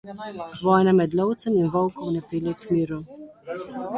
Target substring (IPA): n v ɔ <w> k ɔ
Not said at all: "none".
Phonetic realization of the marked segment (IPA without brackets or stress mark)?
w